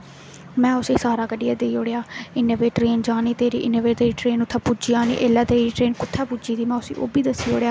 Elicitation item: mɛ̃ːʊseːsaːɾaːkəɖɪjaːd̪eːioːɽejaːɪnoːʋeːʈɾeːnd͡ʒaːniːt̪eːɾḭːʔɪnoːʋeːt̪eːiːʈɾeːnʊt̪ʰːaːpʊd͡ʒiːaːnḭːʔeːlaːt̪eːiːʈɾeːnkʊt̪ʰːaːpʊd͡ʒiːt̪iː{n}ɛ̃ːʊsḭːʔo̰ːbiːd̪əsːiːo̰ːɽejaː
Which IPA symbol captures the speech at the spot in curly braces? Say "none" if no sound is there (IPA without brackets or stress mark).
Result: m